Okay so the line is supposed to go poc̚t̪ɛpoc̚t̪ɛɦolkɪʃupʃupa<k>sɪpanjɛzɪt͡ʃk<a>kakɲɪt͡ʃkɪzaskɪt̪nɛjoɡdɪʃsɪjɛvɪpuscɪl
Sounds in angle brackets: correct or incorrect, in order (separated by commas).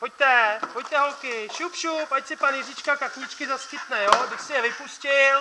incorrect, correct